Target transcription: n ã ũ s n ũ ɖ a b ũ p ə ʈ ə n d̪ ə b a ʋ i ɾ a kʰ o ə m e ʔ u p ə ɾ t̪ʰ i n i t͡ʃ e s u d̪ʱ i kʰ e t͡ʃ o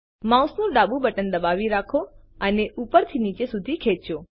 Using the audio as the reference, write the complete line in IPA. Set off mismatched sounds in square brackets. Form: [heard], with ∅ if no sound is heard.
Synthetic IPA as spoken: [m] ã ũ s n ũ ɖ a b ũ [b] ə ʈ ə n d̪ ə b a ʋ i ɾ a kʰ o ə [n] e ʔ u p ə ɾ t̪ʰ i n i t͡ʃ e s u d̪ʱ i kʰ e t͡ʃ o